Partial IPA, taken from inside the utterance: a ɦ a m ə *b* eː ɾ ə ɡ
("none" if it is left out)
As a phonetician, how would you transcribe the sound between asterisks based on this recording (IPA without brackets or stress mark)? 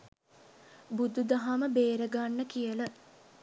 b